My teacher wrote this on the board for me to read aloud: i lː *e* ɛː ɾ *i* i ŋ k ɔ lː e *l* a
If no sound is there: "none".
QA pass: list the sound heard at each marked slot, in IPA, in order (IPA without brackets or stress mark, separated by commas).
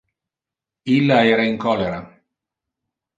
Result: a, a, ɾ